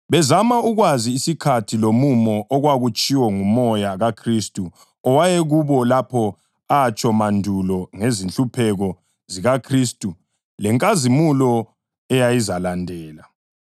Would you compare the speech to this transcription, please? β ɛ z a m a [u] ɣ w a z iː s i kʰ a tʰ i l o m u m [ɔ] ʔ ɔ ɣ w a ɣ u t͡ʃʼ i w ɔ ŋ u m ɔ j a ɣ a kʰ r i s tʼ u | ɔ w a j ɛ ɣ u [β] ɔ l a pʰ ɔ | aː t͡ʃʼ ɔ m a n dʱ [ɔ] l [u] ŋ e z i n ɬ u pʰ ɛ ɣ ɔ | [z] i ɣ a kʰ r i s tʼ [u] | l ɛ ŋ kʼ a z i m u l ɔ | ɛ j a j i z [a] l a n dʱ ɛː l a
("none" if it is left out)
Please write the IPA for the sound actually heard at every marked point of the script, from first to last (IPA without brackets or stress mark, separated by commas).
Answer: u, ɔ, β, u, ɔ, z, u, a